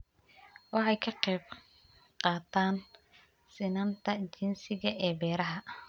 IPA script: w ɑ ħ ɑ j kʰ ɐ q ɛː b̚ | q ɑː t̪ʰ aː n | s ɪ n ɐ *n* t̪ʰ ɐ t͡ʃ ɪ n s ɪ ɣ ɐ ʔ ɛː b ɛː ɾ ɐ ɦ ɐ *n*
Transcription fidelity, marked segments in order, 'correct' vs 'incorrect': correct, incorrect: none

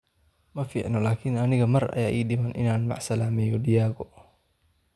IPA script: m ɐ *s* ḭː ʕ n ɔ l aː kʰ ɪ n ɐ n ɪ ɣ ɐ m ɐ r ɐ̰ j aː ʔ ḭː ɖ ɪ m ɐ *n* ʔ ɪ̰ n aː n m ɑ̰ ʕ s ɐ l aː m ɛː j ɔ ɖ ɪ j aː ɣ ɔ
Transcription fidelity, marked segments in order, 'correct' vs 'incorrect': incorrect: f, correct

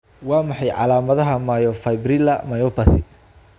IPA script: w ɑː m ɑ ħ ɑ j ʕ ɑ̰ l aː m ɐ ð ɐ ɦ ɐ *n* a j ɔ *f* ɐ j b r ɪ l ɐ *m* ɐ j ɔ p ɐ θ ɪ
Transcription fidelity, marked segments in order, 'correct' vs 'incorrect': incorrect: m, correct, correct

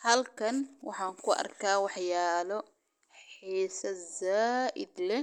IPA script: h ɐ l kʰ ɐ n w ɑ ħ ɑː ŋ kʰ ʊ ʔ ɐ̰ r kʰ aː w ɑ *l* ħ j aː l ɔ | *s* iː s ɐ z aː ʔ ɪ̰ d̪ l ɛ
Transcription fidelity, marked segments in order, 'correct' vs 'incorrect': incorrect: none, incorrect: ħ

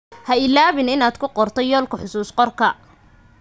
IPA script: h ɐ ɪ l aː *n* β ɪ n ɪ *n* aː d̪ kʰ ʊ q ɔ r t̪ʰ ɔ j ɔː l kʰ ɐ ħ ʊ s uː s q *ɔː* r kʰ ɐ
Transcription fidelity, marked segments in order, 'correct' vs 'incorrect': incorrect: none, correct, incorrect: ɔ

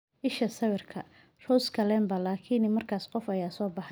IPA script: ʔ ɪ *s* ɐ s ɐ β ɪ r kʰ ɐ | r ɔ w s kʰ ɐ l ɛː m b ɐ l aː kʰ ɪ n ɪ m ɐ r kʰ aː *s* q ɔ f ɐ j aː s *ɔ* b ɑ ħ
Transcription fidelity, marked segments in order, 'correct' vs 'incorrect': incorrect: ʃ, correct, incorrect: ɔː

